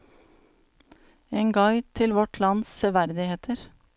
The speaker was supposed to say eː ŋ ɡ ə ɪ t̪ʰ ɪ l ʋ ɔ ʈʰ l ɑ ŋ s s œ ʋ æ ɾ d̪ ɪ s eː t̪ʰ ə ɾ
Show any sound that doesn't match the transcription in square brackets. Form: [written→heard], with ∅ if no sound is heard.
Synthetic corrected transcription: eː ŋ ɡ [ə→ɑ] ɪ t̪ʰ ɪ l ʋ ɔ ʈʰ l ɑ [ŋ→n] s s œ ʋ æ ɾ d̪ ɪ [s→h] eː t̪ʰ ə ɾ